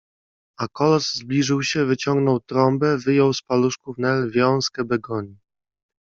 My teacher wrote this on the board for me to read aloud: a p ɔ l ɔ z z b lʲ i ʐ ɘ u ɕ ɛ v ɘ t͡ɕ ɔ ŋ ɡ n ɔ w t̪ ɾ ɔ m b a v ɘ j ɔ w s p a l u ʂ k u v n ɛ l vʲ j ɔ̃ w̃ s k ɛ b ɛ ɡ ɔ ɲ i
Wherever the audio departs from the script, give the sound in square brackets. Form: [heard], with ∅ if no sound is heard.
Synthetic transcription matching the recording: a [k] ɔ l ɔ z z b lʲ i ʐ ɘ [w] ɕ ɛ v ɘ t͡ɕ ɔ ŋ ɡ n ɔ w t̪ ɾ ɔ m b [ɛ] v ɘ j ɔ w s p a l u ʂ k u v n ɛ l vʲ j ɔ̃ w̃ s k ɛ b ɛ ɡ ɔ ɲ i